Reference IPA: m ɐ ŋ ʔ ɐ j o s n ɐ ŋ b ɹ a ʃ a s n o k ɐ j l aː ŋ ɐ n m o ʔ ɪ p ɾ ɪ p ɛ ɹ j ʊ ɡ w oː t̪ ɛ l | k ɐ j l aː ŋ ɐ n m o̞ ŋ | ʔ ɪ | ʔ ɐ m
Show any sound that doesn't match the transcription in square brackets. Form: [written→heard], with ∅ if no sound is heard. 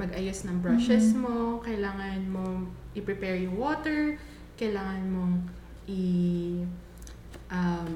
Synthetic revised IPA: m ɐ [ŋ→ɡ] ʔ ɐ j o s n ɐ ŋ b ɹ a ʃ [a→ɛ] s [n→m] o k ɐ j l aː ŋ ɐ n m o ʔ ɪ p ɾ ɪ p ɛ ɹ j ʊ [ɡ→ŋ] w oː t̪ ɛ [l→ɹ] | k ɐ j l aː ŋ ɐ n m o̞ ŋ | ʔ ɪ | ʔ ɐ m